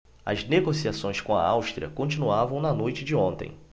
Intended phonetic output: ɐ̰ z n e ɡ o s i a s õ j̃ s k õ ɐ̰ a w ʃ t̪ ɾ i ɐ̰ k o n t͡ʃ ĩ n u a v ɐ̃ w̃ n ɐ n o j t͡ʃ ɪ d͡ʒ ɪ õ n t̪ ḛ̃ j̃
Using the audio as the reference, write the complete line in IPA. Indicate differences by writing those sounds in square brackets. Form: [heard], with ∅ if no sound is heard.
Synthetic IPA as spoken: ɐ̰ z n e ɡ o s i a s õ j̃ s k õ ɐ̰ a w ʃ t̪ ɾ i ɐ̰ k [õ] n t͡ʃ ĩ n u a v ɐ̃ w̃ n ɐ n o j t͡ʃ ɪ d͡ʒ ɪ õ n t̪ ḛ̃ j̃

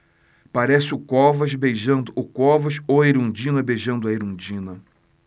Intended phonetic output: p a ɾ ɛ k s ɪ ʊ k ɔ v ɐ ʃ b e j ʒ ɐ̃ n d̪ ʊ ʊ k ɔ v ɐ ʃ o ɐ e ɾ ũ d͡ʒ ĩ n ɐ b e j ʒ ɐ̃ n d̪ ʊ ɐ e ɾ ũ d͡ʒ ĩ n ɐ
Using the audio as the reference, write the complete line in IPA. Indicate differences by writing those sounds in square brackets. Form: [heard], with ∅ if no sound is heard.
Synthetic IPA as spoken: p a ɾ ɛ [∅] s ɪ ʊ k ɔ v ɐ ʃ b e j ʒ ɐ̃ n d̪ ʊ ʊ k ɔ v ɐ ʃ o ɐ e ɾ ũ d͡ʒ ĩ n ɐ b e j ʒ ɐ̃ n d̪ ʊ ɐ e ɾ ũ d͡ʒ ĩ n ɐ

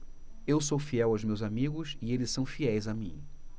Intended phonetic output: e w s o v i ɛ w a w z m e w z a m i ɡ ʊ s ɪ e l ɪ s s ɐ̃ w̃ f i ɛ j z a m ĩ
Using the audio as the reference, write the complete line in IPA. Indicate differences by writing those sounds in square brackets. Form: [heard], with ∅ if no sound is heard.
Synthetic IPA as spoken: e w s o [f] i ɛ w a w z m e w z a m i ɡ ʊ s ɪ e l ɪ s s ɐ̃ w̃ f i ɛ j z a m ĩ

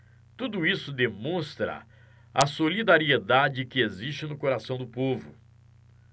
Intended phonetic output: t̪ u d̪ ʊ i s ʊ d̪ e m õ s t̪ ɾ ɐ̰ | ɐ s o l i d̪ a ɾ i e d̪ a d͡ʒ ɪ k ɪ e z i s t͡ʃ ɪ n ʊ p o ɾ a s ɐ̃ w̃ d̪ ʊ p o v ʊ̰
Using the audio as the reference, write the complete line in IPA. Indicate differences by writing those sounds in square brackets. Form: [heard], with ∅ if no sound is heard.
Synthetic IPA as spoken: t̪ u d̪ ʊ i s ʊ d̪ e m õ s t̪ ɾ ɐ̰ | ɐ s o l i d̪ a ɾ i e d̪ a d͡ʒ ɪ k ɪ e z i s t͡ʃ ɪ n ʊ [k] o ɾ a s ɐ̃ w̃ d̪ ʊ p o v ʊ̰

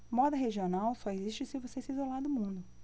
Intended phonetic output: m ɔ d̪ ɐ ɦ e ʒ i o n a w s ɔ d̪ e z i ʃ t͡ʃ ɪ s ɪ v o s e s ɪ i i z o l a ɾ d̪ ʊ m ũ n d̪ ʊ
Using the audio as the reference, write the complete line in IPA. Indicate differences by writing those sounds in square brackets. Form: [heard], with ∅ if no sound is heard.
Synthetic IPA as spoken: m ɔ d̪ ɐ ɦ e ʒ i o n a w s ɔ [∅] e z i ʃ t͡ʃ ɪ s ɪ v o s e s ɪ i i z o l a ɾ d̪ ʊ m ũ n d̪ ʊ

